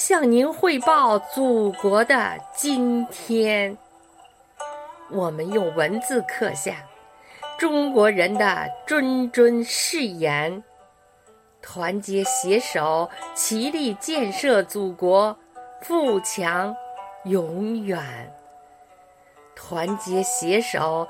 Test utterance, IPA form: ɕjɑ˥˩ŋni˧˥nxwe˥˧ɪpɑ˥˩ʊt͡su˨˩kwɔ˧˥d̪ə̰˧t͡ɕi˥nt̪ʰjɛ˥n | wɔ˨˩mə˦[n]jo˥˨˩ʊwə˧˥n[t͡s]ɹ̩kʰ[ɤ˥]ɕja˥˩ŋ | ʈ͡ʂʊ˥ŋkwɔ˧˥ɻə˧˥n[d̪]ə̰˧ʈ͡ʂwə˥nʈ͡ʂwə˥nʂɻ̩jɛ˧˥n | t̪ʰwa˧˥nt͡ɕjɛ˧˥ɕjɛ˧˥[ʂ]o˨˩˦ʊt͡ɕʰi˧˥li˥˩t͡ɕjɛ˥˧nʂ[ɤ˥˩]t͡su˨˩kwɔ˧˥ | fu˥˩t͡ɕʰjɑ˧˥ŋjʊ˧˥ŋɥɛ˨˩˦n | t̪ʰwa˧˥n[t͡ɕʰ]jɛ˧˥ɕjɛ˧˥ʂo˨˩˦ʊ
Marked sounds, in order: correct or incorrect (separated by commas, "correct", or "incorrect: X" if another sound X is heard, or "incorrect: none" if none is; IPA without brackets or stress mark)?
correct, correct, incorrect: ɤ˥˧, correct, correct, correct, incorrect: t͡ɕ